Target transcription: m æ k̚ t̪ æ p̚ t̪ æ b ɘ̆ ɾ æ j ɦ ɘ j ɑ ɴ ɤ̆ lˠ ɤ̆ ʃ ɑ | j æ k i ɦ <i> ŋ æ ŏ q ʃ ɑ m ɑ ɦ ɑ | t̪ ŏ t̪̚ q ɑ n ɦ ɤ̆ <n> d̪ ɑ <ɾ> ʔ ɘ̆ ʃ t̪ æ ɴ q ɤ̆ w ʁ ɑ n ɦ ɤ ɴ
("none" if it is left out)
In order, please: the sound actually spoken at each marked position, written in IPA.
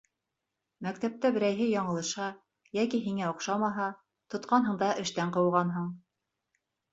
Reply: i, ɴ, none

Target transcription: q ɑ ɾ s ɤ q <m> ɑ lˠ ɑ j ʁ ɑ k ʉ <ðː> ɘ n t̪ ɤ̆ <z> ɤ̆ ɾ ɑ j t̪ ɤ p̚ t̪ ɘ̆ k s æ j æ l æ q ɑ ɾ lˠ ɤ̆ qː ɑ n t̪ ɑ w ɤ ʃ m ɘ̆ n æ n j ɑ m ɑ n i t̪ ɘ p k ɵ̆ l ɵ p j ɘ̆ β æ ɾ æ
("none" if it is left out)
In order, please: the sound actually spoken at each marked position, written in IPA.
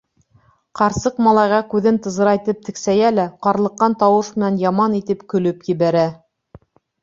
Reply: m, ð, z

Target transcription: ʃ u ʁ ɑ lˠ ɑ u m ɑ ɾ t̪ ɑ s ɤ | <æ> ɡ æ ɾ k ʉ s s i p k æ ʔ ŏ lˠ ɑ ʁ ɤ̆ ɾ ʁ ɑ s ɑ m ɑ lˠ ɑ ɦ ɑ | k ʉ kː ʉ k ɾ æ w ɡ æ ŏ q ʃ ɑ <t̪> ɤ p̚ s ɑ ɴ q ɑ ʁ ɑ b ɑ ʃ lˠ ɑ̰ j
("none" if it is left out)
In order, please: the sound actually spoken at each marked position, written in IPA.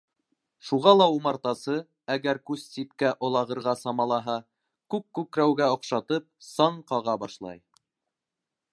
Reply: æ, t̪

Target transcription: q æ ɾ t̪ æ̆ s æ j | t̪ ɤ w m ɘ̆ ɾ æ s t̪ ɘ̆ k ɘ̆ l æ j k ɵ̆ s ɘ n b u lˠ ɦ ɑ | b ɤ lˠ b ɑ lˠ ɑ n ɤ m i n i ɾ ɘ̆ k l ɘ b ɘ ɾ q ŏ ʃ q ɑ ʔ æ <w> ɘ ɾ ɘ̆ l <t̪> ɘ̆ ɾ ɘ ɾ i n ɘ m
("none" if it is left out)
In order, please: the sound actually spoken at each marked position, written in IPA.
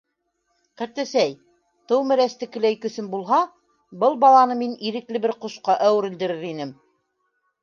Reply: w, d̪

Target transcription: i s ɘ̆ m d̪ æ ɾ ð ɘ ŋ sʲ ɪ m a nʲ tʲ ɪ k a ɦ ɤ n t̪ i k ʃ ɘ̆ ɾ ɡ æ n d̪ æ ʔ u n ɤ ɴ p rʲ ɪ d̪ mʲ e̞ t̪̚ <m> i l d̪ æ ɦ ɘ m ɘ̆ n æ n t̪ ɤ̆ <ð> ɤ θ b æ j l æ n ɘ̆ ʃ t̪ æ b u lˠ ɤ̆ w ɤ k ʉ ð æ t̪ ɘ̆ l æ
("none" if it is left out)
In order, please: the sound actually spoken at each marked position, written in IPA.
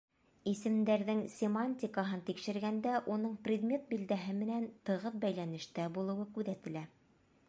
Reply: b, ʁ

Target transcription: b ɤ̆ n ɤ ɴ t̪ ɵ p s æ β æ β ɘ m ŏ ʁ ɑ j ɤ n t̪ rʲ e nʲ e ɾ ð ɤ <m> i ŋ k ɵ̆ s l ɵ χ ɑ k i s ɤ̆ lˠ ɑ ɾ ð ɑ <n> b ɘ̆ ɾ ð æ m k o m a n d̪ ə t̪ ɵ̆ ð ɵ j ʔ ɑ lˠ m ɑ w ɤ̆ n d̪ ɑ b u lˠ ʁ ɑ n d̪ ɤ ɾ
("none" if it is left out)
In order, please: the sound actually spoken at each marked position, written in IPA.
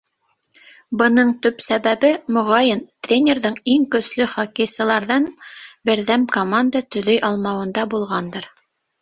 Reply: ɴ, n

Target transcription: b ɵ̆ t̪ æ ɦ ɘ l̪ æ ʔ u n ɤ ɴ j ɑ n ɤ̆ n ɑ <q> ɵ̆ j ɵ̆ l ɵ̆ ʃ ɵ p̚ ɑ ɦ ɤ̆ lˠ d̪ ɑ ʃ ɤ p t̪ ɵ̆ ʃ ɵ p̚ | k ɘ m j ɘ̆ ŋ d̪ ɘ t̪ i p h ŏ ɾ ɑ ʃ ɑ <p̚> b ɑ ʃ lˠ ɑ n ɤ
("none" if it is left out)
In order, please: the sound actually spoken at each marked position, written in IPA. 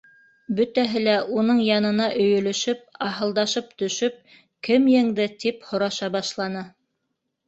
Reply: ʔ, none

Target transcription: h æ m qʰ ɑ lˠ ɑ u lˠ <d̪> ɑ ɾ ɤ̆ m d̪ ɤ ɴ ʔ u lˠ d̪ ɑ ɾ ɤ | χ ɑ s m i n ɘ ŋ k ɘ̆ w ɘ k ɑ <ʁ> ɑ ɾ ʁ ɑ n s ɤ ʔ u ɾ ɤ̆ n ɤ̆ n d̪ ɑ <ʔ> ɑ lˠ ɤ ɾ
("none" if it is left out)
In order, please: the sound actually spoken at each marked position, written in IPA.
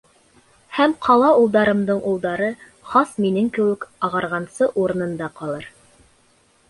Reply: d̪, ʁ, q

